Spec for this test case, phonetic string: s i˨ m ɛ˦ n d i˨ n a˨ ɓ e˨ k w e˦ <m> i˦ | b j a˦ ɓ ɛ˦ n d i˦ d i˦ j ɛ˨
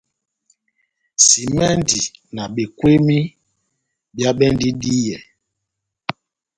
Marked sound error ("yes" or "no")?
no